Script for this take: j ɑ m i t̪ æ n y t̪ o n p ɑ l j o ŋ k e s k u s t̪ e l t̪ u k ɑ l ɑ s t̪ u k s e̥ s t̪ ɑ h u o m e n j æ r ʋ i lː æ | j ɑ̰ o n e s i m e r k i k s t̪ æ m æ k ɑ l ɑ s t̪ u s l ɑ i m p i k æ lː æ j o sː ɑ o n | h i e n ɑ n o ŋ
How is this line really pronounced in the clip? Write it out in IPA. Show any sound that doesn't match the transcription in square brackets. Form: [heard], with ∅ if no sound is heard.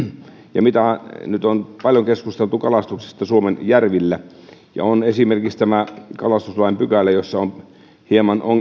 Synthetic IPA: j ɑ m i t̪ æ n y t̪ o n p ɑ l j o ŋ k e s k u s t̪ e l t̪ u k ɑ l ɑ s t̪ u k s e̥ s t̪ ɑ [s] u o m e n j æ r ʋ i lː æ | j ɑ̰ o n e s i m e r k i k s t̪ æ m æ k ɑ l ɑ s t̪ u s l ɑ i m p [y] k æ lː æ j o sː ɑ o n | h i e [m] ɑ n o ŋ